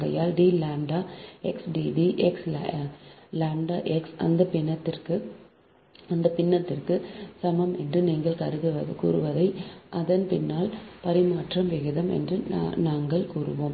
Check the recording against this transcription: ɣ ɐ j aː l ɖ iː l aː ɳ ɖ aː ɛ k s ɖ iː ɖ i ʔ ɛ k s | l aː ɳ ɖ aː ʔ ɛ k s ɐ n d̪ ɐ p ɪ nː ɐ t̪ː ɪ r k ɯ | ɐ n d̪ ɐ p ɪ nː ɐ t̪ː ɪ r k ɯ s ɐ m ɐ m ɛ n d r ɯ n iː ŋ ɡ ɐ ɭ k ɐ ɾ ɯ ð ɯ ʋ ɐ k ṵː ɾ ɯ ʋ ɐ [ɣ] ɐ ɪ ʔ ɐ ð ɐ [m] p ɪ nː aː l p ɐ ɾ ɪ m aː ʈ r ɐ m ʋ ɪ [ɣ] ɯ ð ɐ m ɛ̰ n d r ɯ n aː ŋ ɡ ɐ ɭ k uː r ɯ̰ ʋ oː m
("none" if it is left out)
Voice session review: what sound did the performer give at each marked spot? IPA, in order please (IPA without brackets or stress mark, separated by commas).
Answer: ð, n, ɣ